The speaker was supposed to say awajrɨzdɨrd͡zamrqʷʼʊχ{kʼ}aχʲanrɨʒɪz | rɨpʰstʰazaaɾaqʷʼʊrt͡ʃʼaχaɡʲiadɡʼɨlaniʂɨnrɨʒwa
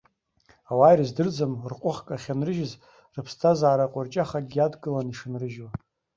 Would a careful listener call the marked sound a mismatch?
no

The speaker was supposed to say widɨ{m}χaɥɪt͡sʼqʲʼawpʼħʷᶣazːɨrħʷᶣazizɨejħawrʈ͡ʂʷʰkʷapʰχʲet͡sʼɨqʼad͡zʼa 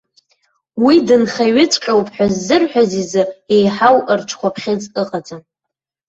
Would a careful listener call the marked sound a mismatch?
yes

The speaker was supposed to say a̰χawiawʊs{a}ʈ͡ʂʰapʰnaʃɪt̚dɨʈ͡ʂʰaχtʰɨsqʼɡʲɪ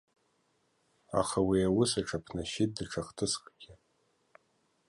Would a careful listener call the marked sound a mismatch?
no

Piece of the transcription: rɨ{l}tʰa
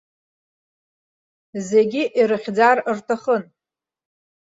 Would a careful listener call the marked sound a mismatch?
yes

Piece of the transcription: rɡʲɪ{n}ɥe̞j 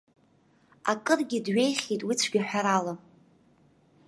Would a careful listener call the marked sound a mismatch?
yes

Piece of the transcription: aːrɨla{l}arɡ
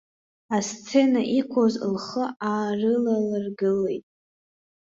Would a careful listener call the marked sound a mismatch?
no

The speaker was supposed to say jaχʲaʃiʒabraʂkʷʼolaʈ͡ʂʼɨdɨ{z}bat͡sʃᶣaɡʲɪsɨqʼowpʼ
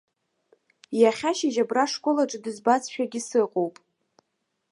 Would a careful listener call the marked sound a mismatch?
no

